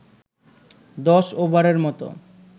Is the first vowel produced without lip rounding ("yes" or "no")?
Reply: no